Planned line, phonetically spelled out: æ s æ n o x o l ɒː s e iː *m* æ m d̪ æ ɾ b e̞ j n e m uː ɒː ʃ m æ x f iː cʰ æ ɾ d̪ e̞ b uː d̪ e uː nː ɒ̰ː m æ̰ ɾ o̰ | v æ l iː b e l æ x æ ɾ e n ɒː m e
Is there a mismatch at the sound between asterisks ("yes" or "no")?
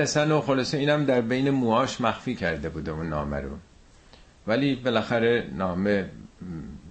yes